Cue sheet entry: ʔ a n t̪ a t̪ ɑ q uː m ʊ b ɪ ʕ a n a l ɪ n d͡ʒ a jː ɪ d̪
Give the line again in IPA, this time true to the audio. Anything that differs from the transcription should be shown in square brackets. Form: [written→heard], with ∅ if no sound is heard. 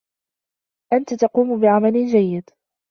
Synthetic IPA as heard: ʔ a n t̪ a t̪ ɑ q uː m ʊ b ɪ ʕ a [n→m] a l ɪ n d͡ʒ a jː ɪ d̪